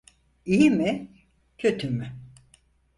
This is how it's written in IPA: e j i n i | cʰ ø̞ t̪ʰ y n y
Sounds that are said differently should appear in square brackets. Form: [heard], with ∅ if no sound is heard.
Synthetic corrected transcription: [i] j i [m] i | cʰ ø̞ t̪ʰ y [m] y